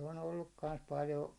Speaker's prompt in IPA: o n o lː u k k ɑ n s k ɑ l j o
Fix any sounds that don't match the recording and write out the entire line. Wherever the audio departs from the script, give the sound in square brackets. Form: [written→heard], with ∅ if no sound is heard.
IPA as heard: o n o lː u k k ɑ n s [k→p] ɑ l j o